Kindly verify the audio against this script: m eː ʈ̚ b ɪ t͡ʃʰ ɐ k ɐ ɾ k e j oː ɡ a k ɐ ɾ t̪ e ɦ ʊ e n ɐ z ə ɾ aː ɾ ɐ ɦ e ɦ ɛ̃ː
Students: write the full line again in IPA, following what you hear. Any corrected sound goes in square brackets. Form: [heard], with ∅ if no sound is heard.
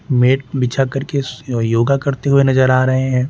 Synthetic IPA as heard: m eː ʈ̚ b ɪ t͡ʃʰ [a] k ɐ ɾ k e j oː ɡ a k ɐ ɾ t̪ e ɦ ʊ e n ɐ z ə ɾ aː ɾ ɐ ɦ e ɦ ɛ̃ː